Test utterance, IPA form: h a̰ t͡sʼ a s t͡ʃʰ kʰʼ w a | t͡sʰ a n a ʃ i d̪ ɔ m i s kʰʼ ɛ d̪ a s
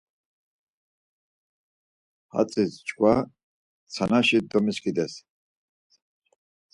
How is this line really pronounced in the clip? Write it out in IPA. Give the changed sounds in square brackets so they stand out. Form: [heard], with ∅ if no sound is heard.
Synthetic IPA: h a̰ t͡sʼ [i] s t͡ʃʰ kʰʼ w a | t͡sʰ a n a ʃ i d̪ ɔ m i s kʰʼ [i] d̪ [ɛ] s